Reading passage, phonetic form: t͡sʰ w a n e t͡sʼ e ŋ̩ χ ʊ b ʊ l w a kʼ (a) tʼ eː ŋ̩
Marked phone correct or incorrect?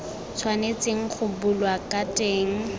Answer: correct